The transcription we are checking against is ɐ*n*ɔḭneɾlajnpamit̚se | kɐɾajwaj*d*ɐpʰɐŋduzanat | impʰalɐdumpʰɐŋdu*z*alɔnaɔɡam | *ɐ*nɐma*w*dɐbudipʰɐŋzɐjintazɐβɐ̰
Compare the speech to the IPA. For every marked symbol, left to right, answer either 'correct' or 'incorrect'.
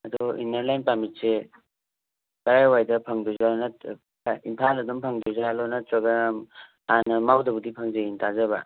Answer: incorrect, correct, correct, incorrect, correct

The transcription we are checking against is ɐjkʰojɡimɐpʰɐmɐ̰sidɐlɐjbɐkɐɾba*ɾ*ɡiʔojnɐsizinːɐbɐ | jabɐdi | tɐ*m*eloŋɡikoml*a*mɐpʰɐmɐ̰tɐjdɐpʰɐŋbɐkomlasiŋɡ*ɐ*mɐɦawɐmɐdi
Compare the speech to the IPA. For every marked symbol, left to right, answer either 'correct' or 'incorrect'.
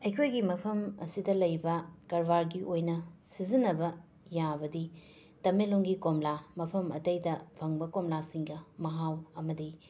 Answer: correct, correct, correct, correct

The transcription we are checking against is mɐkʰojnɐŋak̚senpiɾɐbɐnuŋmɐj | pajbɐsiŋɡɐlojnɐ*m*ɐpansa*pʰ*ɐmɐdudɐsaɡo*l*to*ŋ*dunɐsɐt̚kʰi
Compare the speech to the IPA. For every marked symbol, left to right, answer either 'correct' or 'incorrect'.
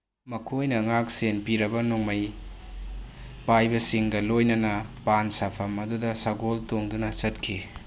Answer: incorrect, correct, correct, correct

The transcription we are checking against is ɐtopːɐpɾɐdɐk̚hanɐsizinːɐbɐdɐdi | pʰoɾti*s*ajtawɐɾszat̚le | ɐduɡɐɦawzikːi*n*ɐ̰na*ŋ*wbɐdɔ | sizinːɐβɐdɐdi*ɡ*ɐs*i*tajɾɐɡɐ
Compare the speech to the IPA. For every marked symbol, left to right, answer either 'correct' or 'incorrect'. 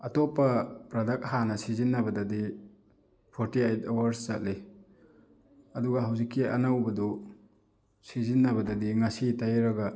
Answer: incorrect, incorrect, incorrect, incorrect, correct

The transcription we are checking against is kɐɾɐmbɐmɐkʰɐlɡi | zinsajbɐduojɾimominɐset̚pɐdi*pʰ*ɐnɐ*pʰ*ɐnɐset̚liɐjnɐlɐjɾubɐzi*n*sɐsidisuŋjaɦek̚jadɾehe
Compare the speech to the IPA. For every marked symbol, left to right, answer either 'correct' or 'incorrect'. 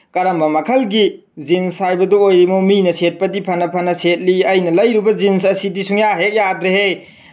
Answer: correct, correct, correct

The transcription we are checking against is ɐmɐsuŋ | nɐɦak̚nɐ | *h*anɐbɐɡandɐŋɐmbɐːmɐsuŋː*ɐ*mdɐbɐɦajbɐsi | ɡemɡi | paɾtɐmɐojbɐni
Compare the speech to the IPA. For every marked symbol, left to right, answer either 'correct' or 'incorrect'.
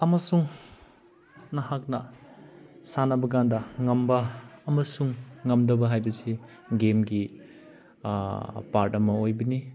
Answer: incorrect, correct

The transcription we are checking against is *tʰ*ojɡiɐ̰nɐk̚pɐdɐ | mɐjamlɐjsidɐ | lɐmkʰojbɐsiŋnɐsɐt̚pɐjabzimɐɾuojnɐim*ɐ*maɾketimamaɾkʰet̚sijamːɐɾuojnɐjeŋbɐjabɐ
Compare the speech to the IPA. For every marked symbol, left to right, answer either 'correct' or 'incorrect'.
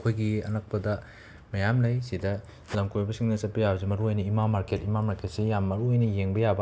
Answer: incorrect, incorrect

